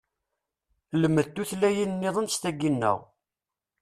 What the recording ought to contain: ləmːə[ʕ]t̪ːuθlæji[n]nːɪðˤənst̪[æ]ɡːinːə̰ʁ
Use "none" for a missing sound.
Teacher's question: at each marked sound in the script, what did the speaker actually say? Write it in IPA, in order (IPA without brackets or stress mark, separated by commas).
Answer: ð, n, æ